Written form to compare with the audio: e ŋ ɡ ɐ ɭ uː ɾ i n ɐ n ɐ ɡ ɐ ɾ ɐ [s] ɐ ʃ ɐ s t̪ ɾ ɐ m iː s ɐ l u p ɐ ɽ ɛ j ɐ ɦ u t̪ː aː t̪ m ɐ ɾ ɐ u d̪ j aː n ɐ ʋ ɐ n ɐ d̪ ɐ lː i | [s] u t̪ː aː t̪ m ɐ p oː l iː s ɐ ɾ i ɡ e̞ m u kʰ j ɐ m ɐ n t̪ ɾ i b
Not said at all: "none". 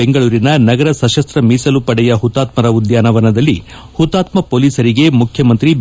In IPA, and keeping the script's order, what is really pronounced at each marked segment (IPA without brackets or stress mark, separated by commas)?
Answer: s, h